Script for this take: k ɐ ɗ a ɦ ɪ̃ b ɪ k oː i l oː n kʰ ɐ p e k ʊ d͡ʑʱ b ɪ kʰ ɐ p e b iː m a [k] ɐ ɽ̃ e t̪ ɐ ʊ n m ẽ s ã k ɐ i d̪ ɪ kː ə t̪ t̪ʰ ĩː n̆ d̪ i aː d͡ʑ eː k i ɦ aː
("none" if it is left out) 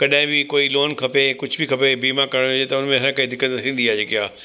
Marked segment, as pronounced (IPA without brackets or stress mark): k